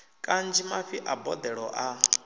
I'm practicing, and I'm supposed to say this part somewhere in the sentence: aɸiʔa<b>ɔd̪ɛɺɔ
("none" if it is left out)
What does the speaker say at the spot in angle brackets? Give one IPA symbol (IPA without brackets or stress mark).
b